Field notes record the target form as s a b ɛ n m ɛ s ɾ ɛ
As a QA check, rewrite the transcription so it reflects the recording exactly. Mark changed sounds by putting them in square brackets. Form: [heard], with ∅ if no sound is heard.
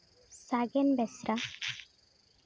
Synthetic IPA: s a [ɡ] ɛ n [b] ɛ s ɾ [a]

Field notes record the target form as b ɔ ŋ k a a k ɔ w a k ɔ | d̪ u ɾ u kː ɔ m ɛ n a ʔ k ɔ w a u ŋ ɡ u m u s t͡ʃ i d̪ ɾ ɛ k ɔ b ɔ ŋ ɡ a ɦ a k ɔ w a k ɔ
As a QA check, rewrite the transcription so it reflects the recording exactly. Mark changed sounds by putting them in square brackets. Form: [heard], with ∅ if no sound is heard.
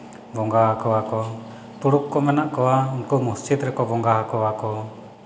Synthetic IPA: b ɔ ŋ [ɡ] a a k ɔ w a k ɔ | [t̪] u [ɽ] u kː ɔ m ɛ n a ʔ k ɔ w a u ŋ [k] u m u s t͡ʃ i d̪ ɾ ɛ k ɔ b ɔ ŋ ɡ a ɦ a k ɔ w a k ɔ

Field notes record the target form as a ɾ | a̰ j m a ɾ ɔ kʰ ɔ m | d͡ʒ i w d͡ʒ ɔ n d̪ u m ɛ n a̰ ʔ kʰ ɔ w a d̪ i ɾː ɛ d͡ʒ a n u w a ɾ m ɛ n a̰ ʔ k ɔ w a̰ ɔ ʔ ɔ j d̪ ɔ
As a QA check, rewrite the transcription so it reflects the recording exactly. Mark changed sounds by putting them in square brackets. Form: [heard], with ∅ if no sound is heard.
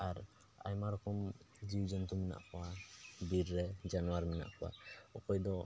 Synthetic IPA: a ɾ | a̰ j m a ɾ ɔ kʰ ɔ m | d͡ʒ i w d͡ʒ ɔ n [t̪] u m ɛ n a̰ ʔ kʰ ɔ w a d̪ i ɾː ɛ d͡ʒ a n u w a ɾ m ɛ n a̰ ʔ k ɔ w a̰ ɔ [k] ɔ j d̪ ɔ

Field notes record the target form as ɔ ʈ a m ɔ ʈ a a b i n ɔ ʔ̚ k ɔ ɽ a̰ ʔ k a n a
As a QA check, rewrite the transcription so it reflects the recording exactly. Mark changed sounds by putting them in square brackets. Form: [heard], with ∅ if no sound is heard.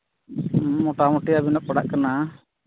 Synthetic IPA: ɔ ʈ a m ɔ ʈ [i] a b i n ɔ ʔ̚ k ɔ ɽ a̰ ʔ k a n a

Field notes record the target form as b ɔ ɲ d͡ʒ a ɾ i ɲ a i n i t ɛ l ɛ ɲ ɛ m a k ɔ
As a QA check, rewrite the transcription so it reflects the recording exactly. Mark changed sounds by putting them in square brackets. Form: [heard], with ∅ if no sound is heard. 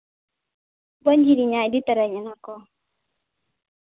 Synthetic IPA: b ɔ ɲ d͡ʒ [i] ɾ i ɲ a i [d] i t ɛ [ɾ] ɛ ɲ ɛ [n] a k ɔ

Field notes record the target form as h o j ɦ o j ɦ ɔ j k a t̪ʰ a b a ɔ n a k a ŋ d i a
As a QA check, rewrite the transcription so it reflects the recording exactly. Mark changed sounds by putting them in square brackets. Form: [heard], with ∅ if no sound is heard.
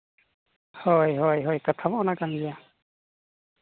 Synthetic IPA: h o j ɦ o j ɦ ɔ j k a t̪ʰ a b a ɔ n a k a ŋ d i a

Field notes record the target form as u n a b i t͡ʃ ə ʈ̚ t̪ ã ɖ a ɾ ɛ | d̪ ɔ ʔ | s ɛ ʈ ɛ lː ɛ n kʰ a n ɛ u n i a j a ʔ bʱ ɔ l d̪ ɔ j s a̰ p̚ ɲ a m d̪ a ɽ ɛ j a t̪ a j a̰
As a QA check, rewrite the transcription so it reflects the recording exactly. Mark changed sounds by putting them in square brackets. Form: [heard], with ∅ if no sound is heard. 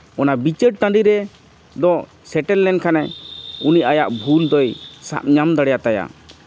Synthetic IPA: [ɔ] n a b i t͡ʃ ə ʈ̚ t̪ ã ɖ [i] ɾ ɛ | d̪ ɔ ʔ | s ɛ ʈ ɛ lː ɛ n kʰ a n ɛ u n i a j a ʔ bʱ [u] l d̪ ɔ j s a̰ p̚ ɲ a m d̪ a ɽ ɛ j a t̪ a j a̰

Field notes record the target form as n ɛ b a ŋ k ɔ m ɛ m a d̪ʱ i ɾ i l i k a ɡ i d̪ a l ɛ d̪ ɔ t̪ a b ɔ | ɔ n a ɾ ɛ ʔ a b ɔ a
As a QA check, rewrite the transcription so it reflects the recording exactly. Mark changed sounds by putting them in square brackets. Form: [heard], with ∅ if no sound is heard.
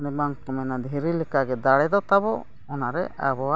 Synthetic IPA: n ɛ b a ŋ k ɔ m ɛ [n] a d̪ʱ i ɾ i l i k a ɡ [ɛ] d̪ a [ɽ] ɛ d̪ ɔ t̪ a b ɔ | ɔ n a ɾ ɛ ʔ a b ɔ a

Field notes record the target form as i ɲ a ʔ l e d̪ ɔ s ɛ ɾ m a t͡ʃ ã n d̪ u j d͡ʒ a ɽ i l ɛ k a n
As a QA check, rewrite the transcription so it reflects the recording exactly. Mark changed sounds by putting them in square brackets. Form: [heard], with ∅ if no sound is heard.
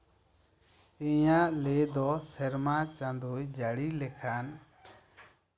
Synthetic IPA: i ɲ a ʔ l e d̪ ɔ s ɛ ɾ m a t͡ʃ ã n d̪ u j d͡ʒ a ɽ i l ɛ [kʰ] a n

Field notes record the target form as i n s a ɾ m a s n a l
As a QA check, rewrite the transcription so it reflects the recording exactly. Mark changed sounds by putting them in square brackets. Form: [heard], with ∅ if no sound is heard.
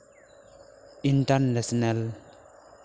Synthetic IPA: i n [t] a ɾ [n] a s n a l

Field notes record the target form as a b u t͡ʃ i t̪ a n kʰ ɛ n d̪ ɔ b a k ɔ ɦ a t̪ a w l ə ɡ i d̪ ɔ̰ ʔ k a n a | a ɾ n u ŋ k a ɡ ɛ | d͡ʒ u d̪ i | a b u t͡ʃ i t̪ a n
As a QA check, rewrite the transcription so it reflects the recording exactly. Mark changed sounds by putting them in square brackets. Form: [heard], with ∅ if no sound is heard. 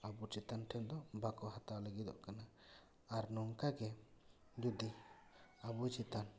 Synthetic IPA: a b u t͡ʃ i t̪ a n [ʈʰ] ɛ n d̪ ɔ b a k ɔ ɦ a t̪ a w l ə ɡ i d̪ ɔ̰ ʔ k a n a | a ɾ n [ɔ] ŋ k a ɡ ɛ | d͡ʒ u d̪ i | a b u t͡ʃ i t̪ a n

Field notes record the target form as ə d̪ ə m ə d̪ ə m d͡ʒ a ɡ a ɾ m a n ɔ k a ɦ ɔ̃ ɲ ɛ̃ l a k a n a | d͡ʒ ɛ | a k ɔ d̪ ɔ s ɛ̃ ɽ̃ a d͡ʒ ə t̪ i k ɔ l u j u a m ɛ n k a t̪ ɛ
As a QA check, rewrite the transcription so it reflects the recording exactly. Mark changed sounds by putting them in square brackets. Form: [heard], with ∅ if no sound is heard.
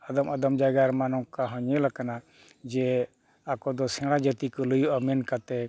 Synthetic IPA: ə d̪ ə m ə d̪ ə m d͡ʒ a ɡ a ɾ m a n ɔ k a ɦ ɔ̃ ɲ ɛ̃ l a k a n a | d͡ʒ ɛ | a k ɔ d̪ ɔ s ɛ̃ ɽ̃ a d͡ʒ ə t̪ i k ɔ l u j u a m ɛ n k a t̪ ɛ

